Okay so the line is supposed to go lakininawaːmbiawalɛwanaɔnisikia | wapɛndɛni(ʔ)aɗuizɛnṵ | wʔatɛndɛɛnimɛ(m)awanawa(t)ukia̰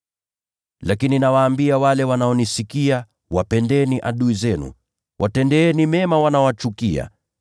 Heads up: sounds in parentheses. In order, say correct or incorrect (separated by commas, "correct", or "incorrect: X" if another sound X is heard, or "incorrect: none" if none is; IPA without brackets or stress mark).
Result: correct, correct, incorrect: t͡ʃ